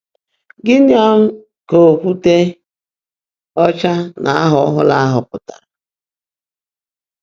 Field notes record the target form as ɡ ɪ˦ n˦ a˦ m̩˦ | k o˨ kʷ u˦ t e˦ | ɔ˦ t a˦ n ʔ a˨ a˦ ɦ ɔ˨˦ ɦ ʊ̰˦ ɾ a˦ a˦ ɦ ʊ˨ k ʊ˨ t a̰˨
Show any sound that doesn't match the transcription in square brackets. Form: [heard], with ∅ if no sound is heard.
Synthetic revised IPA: ɡ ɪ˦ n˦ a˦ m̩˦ | k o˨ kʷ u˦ t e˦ | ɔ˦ [t͡ʃ] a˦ n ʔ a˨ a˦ ɦ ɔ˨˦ ɦ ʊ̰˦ [l] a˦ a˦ ɦ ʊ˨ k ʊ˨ t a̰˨

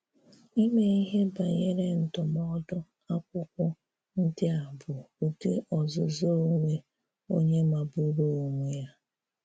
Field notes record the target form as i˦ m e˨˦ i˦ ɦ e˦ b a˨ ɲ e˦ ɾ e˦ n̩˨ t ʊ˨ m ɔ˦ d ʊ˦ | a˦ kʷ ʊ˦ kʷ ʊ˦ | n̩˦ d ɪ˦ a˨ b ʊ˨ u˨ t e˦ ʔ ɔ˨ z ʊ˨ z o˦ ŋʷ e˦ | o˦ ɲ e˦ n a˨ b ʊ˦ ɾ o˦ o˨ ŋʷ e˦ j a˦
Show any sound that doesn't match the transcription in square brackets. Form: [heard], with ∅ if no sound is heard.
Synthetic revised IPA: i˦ m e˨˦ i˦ ɦ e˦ b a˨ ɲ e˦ ɾ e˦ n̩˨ t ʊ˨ m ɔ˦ d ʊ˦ | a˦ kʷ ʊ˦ kʷ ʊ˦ | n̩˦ d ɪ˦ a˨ b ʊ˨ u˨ t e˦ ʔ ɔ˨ z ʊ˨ z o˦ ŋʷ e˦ | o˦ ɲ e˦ [m] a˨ b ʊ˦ ɾ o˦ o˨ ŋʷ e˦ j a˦

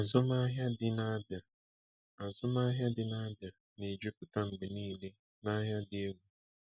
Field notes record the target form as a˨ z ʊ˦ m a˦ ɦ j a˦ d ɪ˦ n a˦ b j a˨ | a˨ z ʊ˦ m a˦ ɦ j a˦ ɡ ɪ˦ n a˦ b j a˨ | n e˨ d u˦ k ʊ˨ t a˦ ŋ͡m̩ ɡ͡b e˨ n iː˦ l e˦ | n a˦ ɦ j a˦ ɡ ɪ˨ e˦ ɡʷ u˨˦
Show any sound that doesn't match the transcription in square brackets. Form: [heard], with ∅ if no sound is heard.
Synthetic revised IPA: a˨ z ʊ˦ m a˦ ɦ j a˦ d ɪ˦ n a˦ b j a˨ | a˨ z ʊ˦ m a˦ ɦ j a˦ [d] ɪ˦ n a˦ b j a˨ | n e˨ [d͡ʒ] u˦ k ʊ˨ t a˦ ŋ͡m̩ ɡ͡b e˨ n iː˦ l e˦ | n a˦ ɦ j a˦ [d] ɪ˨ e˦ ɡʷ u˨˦

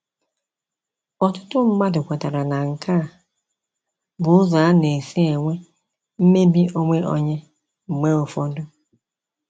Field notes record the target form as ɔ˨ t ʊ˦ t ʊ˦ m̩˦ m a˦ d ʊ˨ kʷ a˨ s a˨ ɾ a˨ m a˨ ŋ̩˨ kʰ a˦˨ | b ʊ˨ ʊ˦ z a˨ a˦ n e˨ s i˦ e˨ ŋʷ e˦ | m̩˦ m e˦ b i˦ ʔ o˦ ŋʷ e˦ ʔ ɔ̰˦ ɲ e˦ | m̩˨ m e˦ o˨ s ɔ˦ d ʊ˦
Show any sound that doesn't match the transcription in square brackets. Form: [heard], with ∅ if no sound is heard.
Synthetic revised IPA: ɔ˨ t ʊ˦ t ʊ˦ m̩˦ m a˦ d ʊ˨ kʷ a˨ [t] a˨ ɾ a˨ [n] a˨ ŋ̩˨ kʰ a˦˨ | b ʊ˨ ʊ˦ z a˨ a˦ n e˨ s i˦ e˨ ŋʷ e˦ | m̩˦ m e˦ b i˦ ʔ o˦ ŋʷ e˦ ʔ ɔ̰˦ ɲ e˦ | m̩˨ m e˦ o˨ [f] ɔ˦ d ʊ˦

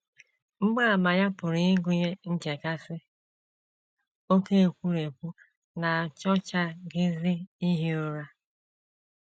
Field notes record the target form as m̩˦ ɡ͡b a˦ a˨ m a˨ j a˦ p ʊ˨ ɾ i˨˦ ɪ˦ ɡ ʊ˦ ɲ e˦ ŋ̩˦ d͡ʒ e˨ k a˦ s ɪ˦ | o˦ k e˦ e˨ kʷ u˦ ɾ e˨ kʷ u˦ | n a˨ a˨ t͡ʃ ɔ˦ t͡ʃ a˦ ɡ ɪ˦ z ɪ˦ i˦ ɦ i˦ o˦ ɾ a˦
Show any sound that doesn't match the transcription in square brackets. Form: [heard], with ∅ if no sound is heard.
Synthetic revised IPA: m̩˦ ɡ͡b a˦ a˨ m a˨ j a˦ p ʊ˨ ɾ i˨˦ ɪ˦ ɡ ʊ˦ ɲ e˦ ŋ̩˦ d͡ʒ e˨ k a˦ s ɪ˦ | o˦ k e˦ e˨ kʷ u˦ ɾ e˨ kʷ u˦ | n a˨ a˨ t͡ʃ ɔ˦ t͡ʃ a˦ ɡ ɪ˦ z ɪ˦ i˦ ɦ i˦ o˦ ɾ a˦

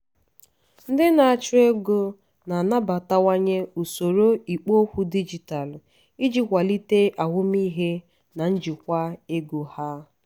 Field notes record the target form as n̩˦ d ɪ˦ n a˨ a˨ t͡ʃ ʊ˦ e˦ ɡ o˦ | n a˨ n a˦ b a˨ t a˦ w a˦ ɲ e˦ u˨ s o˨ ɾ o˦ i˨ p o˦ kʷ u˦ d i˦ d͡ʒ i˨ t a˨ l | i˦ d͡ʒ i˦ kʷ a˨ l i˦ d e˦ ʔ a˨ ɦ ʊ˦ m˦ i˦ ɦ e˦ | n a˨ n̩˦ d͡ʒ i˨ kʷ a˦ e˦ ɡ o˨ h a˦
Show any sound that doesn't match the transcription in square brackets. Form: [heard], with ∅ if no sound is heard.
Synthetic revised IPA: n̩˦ d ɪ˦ n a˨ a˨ t͡ʃ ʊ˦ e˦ ɡ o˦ | n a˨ n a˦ b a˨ t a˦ w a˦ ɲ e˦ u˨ s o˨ ɾ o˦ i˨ [k͡p] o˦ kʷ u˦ d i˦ d͡ʒ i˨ t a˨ l | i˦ d͡ʒ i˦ kʷ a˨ l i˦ [t] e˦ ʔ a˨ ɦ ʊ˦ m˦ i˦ ɦ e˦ | n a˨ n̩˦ d͡ʒ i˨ kʷ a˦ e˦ ɡ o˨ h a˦

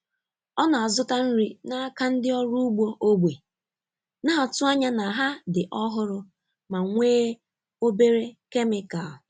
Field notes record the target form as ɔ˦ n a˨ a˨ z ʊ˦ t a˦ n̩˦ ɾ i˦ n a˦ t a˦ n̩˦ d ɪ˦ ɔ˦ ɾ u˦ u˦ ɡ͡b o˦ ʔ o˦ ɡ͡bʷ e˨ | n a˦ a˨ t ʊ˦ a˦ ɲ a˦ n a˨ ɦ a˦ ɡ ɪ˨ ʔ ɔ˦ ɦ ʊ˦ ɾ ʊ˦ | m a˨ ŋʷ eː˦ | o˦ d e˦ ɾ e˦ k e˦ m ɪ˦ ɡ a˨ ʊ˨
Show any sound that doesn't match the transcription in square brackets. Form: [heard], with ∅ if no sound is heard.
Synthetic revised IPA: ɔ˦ n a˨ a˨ z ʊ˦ t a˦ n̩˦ ɾ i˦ n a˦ [k] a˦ n̩˦ d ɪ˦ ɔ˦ ɾ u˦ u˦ ɡ͡b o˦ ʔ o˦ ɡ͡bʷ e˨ | n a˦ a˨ t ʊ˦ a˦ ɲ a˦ n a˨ ɦ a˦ [d] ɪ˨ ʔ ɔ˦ ɦ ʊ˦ ɾ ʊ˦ | m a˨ ŋʷ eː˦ | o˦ [b] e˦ ɾ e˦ k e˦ m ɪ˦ [k] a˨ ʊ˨

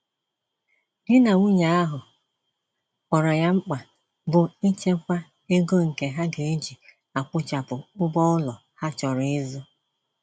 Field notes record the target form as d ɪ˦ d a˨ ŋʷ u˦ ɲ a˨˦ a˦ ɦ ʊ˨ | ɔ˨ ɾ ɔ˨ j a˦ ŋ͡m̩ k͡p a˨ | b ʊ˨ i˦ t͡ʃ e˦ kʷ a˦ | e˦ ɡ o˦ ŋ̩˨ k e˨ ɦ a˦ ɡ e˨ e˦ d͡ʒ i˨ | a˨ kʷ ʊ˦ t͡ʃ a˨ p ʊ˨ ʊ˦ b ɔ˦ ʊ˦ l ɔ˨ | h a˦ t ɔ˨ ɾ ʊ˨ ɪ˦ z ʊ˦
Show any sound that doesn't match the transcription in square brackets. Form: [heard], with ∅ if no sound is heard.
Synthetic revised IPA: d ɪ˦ [n] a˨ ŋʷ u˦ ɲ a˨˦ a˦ ɦ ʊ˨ | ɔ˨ ɾ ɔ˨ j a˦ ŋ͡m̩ k͡p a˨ | b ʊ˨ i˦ t͡ʃ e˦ kʷ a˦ | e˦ ɡ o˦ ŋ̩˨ k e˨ ɦ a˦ ɡ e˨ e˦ d͡ʒ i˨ | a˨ kʷ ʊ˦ t͡ʃ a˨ p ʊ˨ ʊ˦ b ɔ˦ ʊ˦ l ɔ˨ | h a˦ [t͡ʃ] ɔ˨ ɾ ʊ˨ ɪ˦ z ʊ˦

